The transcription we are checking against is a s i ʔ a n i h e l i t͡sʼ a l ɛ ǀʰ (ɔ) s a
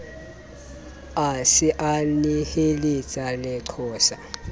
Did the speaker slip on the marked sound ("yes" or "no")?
yes